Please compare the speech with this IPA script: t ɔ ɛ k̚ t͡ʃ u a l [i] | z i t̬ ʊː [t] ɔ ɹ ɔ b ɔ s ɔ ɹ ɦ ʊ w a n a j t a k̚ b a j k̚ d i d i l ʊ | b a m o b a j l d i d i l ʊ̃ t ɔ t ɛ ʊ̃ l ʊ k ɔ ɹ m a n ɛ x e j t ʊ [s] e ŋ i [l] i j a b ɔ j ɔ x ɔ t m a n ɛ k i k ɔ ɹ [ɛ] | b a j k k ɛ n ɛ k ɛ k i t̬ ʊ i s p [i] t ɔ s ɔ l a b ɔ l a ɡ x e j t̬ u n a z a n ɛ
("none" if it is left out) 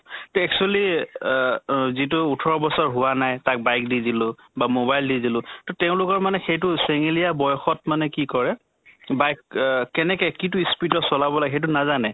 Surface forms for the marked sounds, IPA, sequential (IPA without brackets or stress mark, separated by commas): i, tʰ, s, l, ɛ, i